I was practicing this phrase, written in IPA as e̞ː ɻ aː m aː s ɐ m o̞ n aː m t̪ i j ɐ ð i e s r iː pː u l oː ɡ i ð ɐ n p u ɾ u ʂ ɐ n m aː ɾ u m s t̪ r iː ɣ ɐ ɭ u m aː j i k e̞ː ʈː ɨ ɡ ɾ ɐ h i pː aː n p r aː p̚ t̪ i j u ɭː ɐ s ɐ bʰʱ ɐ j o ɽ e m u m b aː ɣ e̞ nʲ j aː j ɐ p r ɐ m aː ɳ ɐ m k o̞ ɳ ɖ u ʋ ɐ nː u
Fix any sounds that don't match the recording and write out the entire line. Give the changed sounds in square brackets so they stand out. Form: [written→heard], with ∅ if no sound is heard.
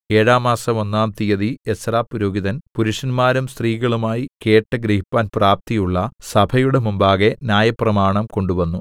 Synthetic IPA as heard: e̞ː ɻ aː m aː s ɐ m o̞ [n→nː] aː m t̪ i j ɐ ð i e s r [iː→aː] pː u [l→ɾ] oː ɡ i ð ɐ n p u ɾ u ʂ ɐ n m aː ɾ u m s t̪ r iː ɣ ɐ ɭ u m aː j i k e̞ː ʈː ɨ ɡ ɾ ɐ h i pː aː n p r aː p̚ t̪ i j u ɭː ɐ s ɐ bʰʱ ɐ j [o→u] ɽ e m u m b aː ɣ e̞ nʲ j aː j ɐ p r ɐ m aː ɳ ɐ m k o̞ ɳ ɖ u ʋ ɐ nː u